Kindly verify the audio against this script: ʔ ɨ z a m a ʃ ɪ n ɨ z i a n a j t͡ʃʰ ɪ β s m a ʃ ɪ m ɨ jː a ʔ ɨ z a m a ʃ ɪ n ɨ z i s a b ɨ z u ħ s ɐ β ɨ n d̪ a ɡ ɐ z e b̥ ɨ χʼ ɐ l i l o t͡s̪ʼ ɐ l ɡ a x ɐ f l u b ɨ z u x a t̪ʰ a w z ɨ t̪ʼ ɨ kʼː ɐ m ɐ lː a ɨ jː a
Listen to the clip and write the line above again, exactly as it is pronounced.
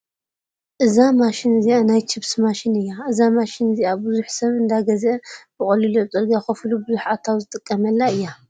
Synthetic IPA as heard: ʔ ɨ z a m a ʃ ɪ n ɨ z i a n a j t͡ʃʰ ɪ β s m a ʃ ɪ n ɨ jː a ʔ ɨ z a m a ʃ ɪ n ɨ z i a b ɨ z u ħ s ɐ β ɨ n d̪ a ɡ ɐ z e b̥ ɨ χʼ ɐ l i l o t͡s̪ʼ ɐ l ɡ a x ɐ f l u b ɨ z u ħ a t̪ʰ a w z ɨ t̪ʼ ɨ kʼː ɐ m ɐ lː a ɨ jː a